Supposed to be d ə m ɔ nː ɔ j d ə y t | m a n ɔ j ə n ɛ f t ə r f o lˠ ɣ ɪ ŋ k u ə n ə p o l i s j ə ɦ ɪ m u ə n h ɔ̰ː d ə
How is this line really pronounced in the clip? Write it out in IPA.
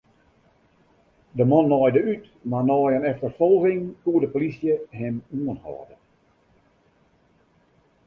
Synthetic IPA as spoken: d ə m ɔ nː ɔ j d ə y t | m a n ɔ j ə n ɛ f t ə r f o lˠ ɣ ɪ ŋ k u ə d ə p o l i s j ə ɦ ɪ m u ə n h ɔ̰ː d ə